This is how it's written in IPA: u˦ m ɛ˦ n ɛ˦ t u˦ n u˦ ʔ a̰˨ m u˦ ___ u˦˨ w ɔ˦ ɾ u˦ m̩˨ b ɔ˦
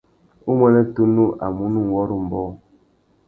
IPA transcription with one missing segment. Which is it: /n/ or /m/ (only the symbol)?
n